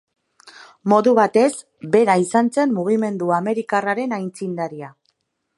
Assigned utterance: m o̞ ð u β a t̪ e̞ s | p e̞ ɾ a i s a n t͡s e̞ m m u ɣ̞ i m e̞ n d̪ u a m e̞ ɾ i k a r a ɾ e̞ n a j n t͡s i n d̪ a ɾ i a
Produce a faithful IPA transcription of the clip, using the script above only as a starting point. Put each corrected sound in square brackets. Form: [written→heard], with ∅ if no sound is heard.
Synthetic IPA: m o̞ ð u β a t̪ e̞ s | [p→b] e̞ ɾ a i s a n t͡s e̞ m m u ɣ̞ i m e̞ n d̪ u a m e̞ ɾ i k a r a ɾ e̞ n a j n t͡s i n d̪ a ɾ i a